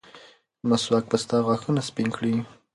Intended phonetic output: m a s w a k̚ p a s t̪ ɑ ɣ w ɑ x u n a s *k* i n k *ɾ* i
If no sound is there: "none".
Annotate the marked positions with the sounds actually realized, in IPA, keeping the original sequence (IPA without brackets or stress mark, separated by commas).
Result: p, ɽ